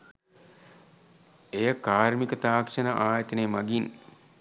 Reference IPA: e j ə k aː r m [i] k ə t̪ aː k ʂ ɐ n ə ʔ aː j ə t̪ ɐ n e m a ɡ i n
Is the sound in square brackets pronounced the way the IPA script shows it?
yes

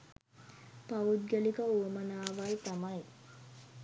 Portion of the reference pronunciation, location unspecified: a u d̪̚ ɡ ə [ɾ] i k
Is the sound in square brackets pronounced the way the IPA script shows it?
no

